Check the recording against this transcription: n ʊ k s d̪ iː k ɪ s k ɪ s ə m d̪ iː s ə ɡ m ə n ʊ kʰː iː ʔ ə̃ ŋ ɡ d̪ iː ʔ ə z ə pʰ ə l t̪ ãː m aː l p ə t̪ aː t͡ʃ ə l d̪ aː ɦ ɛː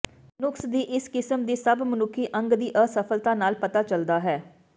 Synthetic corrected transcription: n ʊ k s d̪ iː ʔ ɪ s k ɪ s ə m d̪ iː s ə b m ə n ʊ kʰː iː ʔ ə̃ ŋ ɡ d̪ iː ʔ ə s ə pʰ ə l t̪ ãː n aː l p ə t̪ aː t͡ʃ ə l d̪ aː ɦ ɛː